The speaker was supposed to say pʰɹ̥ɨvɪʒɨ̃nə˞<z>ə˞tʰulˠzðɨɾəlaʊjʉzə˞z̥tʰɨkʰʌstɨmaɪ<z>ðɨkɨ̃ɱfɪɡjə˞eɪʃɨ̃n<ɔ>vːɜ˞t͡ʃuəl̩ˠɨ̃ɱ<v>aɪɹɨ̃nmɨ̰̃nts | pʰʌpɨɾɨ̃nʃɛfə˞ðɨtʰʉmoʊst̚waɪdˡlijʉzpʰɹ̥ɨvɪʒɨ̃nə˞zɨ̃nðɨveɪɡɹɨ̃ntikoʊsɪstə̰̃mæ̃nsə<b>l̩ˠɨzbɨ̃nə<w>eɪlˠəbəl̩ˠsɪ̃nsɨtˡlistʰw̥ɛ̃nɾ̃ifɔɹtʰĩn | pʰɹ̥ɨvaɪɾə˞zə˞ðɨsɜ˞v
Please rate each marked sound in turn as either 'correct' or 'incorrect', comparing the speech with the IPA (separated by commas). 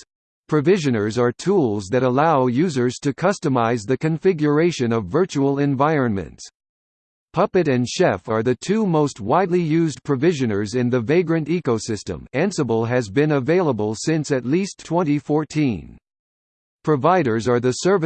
correct, correct, incorrect, correct, correct, incorrect